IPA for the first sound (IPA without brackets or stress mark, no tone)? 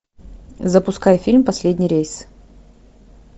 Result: z